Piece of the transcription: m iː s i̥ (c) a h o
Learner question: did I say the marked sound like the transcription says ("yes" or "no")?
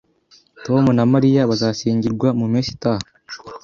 no